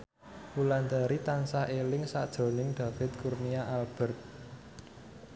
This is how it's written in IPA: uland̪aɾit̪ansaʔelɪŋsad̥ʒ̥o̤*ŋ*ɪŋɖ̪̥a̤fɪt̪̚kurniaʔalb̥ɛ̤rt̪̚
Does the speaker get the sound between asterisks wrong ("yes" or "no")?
yes